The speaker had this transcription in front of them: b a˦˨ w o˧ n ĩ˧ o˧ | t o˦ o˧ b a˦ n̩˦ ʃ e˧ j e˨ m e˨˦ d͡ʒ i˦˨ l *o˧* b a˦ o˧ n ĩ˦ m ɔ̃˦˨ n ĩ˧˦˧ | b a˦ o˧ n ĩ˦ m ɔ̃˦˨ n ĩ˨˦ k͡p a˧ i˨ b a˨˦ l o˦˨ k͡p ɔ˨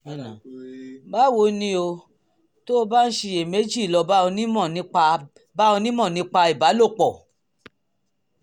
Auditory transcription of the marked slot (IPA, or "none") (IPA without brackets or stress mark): ɔ˧